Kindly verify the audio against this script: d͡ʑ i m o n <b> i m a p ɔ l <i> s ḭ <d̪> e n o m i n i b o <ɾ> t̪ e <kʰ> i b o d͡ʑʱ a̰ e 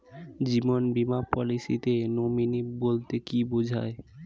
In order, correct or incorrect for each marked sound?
correct, correct, incorrect, incorrect, incorrect

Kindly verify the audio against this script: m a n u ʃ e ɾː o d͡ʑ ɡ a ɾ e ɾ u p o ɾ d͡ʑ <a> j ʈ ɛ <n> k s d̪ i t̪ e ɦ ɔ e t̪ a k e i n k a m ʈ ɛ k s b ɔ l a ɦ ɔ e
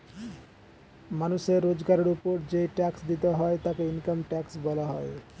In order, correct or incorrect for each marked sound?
incorrect, incorrect

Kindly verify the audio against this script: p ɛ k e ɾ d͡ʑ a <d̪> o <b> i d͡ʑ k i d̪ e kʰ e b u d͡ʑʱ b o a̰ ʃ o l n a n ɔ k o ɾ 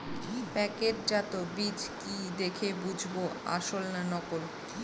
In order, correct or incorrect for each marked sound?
incorrect, correct

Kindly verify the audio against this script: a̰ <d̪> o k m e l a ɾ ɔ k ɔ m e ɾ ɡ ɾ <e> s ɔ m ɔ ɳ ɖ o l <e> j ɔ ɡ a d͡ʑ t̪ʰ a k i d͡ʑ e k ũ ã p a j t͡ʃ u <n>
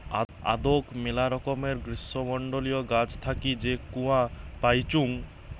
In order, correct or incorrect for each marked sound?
correct, incorrect, incorrect, incorrect

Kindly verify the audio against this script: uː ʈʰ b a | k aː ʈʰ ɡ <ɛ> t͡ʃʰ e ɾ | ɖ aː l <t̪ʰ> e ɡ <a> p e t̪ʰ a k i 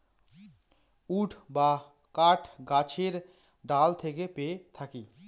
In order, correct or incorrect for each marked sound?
incorrect, correct, incorrect

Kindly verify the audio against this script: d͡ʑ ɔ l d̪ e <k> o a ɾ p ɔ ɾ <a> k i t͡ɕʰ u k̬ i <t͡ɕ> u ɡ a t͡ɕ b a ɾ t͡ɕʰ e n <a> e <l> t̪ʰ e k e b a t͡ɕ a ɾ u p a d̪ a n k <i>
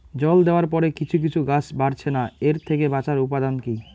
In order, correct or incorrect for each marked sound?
incorrect, incorrect, incorrect, correct, incorrect, correct

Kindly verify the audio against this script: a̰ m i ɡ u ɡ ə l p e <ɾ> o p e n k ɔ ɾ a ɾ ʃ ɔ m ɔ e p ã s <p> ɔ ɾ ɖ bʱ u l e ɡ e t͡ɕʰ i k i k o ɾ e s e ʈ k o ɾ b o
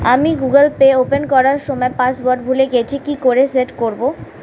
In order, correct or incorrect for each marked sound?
incorrect, incorrect

